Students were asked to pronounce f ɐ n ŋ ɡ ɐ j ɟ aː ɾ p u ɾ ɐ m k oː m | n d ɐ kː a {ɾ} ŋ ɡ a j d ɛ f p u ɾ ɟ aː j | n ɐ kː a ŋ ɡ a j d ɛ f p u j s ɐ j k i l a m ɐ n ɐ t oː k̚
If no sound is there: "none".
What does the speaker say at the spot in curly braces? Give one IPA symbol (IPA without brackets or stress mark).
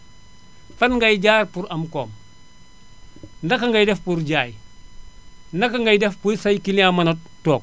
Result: none